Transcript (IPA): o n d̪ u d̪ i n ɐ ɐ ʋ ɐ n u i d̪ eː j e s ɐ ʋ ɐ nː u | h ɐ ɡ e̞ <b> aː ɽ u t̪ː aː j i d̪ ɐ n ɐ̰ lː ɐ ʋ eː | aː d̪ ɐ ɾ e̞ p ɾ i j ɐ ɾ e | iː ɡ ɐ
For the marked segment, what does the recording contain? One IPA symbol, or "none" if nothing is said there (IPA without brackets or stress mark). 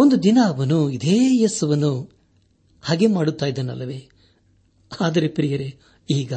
m